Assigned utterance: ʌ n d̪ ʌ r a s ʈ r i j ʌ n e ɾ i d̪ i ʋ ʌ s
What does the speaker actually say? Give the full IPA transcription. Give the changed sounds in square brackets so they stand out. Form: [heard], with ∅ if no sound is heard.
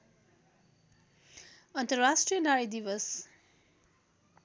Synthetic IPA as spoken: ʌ n [t̪] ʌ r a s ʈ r i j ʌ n [a] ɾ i d̪ i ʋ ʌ s